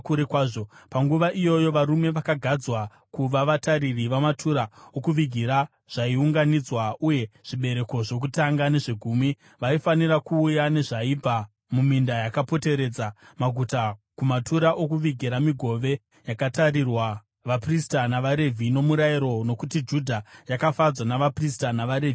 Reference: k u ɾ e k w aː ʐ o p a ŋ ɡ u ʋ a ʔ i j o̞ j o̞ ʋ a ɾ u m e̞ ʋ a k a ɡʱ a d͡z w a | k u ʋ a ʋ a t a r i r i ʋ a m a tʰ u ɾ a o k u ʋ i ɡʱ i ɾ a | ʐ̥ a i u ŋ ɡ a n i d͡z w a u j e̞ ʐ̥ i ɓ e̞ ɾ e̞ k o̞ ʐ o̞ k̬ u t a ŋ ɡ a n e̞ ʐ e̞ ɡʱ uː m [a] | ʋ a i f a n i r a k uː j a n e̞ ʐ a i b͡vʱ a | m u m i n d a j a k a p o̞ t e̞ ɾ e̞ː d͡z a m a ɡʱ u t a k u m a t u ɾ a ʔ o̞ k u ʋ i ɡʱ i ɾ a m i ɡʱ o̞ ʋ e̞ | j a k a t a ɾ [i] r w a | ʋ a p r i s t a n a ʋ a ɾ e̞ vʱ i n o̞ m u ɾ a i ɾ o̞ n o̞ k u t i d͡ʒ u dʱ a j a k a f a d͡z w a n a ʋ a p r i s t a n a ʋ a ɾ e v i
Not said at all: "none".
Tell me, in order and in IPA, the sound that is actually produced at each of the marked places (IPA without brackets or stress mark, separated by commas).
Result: i, i